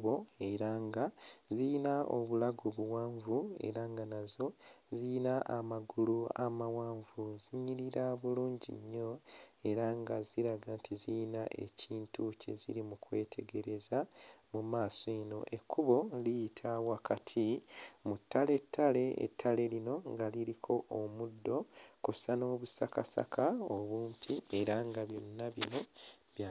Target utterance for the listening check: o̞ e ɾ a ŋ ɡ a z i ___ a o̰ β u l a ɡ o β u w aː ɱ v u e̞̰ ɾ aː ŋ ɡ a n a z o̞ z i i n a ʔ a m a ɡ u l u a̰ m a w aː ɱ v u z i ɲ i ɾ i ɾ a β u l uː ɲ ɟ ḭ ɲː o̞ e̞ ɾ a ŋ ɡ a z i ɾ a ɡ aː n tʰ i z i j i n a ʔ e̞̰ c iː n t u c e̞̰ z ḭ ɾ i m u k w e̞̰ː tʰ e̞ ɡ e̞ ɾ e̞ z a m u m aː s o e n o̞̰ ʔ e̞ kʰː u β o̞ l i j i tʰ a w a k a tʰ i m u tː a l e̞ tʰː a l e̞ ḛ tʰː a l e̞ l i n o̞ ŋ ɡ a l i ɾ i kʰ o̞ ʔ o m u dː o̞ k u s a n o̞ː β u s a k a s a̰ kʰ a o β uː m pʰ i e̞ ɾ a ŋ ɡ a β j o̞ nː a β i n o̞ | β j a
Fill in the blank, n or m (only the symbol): n